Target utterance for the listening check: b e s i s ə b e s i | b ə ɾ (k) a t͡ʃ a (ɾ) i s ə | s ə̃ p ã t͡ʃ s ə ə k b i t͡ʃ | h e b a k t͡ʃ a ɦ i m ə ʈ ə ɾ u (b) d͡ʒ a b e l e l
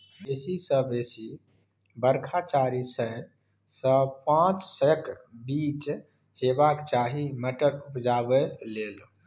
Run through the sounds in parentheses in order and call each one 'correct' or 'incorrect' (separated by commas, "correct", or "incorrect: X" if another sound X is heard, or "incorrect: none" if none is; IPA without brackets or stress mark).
incorrect: kʰ, correct, incorrect: p